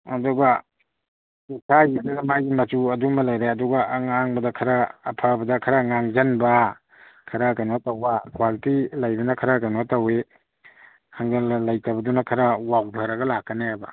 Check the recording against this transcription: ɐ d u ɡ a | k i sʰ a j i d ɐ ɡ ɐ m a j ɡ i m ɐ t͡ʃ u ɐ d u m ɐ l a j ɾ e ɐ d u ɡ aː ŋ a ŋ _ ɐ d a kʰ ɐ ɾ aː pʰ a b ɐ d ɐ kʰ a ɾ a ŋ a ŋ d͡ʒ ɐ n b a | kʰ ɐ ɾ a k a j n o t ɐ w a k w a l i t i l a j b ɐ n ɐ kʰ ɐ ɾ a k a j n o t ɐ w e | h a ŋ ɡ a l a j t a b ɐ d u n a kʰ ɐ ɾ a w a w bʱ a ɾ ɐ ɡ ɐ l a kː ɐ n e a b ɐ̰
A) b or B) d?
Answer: A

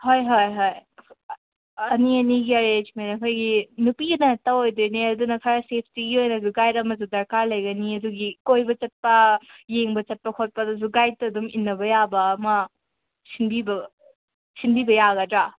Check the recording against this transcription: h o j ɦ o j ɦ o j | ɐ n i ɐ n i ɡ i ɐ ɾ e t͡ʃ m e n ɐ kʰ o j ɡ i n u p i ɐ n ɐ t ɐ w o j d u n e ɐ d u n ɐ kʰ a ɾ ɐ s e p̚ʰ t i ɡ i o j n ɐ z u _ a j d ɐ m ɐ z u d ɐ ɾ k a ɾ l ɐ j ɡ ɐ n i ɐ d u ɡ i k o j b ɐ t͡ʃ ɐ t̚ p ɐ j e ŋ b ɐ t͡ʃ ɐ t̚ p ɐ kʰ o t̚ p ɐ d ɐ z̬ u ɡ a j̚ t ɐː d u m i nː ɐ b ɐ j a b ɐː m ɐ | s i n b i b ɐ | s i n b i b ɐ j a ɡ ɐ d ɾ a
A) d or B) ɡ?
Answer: B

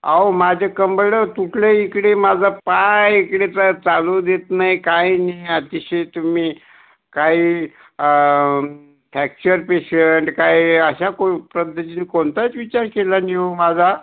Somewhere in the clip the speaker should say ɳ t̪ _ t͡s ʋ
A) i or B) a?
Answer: B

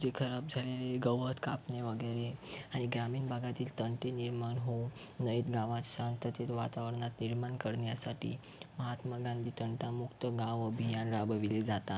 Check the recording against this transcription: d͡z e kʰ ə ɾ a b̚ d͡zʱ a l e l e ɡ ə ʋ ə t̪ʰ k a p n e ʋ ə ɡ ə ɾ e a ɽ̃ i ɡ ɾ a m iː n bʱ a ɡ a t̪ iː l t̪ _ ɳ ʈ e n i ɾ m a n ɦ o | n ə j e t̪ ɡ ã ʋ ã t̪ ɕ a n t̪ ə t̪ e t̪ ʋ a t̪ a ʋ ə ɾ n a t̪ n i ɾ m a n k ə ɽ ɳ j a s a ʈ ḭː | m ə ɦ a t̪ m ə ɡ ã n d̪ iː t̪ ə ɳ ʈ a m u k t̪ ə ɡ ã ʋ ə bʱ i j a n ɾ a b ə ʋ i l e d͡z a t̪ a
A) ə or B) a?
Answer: A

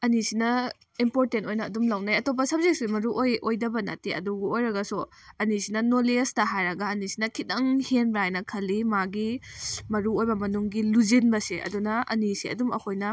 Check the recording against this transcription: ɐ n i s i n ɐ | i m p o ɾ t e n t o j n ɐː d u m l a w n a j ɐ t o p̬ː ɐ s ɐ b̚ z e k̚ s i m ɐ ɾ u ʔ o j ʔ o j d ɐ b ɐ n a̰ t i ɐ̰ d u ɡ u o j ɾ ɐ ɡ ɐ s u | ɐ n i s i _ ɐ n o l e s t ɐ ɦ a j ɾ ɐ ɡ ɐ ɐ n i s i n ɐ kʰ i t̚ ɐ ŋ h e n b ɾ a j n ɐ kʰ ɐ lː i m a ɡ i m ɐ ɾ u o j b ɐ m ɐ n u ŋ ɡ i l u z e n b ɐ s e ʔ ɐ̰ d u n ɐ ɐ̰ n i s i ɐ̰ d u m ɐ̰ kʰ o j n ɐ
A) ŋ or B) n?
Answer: B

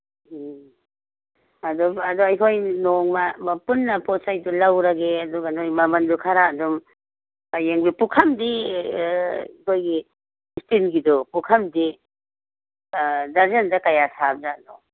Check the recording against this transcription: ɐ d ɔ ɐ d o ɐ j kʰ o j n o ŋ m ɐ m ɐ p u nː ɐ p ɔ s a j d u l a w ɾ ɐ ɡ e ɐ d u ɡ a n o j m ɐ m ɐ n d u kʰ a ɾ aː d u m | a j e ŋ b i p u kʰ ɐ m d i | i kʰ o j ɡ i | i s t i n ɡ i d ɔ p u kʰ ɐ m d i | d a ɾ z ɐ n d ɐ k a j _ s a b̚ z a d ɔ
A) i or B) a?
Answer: B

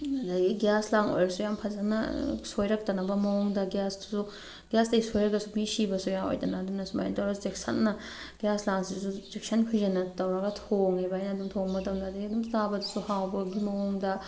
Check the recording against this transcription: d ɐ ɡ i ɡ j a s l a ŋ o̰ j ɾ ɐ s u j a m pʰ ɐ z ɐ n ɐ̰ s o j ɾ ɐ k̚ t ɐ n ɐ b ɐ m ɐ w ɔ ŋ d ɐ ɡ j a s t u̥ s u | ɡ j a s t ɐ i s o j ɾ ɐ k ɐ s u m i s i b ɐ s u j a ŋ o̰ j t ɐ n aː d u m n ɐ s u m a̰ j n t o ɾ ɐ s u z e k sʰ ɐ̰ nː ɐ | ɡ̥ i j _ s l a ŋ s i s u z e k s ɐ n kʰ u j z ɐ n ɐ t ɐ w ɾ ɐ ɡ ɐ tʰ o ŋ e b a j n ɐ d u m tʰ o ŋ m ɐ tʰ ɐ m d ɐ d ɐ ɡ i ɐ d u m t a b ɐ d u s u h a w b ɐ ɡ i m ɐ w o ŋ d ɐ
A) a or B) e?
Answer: A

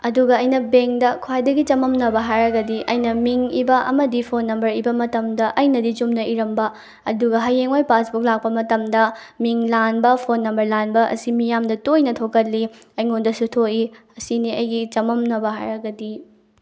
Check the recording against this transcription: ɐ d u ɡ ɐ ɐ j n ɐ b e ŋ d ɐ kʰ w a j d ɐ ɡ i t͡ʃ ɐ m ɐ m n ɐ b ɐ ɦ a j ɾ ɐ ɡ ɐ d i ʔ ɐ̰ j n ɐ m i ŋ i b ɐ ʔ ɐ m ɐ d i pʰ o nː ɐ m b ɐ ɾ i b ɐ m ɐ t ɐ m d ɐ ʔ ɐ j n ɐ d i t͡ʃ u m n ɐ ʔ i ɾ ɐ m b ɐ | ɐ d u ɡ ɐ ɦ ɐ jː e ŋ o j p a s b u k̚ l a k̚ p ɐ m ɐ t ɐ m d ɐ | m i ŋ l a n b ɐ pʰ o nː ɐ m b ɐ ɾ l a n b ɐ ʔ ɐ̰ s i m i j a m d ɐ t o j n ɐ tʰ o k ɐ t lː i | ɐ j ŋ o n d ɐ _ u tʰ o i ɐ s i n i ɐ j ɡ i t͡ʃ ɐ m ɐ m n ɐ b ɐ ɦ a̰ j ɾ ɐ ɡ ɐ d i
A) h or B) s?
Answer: B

